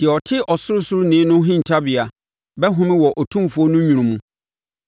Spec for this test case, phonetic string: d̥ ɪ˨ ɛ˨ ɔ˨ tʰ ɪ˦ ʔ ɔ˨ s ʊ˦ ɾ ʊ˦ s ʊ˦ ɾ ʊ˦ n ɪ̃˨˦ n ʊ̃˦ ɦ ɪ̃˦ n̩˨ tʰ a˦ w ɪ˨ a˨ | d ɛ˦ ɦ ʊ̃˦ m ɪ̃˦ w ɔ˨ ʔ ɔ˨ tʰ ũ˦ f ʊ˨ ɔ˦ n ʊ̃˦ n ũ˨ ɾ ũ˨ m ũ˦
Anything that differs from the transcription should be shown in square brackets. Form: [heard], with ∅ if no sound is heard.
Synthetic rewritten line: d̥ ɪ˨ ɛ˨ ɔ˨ tʰ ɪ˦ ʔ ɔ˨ s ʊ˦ ɾ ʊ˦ s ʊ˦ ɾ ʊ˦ n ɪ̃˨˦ n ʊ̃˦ ɦ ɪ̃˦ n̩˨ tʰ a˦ [b] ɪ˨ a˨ | [b] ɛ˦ ɦ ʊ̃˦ m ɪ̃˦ w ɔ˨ ʔ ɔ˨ tʰ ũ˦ f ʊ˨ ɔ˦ n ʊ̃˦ [ɲ] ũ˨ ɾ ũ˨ m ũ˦